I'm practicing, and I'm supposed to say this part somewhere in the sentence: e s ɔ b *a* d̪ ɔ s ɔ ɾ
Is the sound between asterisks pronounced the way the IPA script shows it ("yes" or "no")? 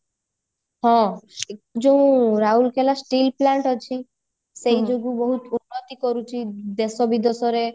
no